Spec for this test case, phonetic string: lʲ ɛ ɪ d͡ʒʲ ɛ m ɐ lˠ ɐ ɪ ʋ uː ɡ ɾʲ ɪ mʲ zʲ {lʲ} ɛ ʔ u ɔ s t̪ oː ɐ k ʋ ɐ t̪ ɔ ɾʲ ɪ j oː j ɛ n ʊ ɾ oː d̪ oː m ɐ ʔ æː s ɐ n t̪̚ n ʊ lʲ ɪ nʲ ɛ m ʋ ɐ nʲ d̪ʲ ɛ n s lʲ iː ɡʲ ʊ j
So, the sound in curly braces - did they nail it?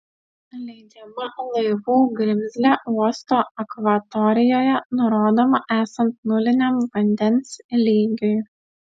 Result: yes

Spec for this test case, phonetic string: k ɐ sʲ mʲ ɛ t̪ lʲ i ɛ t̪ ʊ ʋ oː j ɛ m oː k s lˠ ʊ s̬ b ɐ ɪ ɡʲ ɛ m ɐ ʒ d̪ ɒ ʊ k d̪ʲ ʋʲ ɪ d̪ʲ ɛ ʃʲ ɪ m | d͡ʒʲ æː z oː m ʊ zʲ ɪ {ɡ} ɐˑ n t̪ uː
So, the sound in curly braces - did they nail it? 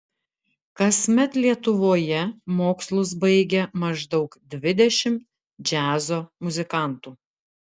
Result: no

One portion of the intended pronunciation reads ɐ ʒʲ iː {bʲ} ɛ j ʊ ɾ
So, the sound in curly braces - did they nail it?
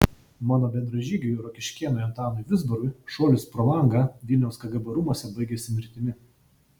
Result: no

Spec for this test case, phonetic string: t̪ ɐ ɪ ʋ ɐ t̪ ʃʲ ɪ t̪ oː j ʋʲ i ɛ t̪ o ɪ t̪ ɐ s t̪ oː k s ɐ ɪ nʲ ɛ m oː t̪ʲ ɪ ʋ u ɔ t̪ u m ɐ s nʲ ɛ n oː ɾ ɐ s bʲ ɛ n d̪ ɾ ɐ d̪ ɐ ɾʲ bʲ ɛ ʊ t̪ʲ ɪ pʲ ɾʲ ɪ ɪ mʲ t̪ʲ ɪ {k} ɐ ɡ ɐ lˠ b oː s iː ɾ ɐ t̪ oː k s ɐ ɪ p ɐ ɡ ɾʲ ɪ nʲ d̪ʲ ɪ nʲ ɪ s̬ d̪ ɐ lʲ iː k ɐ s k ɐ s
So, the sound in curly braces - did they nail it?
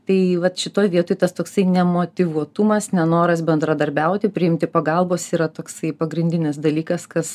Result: no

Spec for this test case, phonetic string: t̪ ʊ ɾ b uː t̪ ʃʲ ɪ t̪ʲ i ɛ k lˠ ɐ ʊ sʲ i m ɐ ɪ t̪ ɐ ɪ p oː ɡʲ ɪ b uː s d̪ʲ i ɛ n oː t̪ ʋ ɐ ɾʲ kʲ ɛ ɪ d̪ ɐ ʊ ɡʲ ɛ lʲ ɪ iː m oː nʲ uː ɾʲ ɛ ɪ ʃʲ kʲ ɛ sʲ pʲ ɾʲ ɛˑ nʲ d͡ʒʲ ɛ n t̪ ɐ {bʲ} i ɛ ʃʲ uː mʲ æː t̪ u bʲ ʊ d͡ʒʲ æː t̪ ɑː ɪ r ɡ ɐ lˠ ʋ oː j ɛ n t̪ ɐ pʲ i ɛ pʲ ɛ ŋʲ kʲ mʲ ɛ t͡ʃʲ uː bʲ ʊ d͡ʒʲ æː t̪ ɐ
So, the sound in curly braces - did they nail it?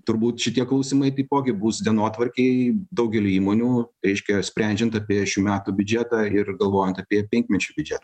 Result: no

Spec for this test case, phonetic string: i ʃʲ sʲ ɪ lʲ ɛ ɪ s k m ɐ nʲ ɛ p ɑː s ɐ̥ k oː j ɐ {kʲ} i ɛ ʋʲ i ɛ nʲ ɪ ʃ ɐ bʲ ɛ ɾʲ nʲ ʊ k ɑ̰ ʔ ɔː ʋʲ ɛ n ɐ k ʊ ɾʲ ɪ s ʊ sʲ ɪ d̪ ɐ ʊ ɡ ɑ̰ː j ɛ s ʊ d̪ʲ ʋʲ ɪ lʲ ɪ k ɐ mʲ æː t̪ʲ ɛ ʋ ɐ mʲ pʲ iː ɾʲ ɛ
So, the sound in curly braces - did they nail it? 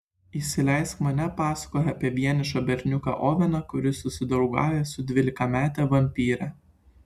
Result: no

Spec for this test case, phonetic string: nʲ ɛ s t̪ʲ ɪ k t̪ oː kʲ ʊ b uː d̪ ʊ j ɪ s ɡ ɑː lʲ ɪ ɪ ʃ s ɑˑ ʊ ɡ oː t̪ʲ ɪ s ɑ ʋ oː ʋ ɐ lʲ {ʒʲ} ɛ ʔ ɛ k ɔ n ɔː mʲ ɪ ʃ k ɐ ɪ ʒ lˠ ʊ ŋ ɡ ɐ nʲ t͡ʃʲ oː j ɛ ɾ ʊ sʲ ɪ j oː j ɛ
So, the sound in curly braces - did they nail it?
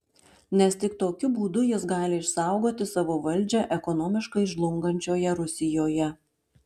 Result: no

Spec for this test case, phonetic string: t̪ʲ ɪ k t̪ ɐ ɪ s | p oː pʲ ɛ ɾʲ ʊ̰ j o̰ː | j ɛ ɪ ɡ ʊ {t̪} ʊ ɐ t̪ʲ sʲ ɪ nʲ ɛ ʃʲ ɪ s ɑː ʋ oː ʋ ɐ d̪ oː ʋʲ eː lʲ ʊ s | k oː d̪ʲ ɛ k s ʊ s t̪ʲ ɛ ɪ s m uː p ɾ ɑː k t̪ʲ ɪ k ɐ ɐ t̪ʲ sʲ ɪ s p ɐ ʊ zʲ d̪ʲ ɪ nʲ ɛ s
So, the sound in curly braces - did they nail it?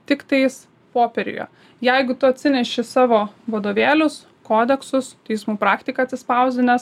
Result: yes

